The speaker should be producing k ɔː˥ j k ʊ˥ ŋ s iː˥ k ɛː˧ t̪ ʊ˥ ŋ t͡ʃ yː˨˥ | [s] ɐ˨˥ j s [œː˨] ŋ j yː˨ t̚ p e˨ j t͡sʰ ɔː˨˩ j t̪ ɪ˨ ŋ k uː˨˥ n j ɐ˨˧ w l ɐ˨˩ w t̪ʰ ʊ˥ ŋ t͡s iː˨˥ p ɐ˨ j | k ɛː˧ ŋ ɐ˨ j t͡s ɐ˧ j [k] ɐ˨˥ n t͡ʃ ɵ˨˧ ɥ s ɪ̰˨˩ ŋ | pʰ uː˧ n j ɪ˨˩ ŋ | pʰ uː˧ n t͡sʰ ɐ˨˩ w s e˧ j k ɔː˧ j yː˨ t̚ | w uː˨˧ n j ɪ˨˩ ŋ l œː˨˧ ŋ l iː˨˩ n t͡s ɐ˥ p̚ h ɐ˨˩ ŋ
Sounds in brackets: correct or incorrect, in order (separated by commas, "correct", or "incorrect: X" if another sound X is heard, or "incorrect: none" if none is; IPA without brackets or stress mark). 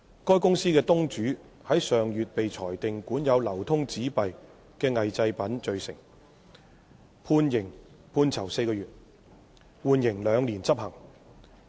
incorrect: h, correct, incorrect: p